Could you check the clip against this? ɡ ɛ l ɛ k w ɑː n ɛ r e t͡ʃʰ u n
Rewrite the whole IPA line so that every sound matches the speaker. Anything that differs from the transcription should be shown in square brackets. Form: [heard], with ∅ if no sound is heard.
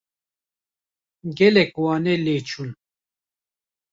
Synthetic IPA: ɡ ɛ l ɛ k w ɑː n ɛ [l] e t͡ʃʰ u n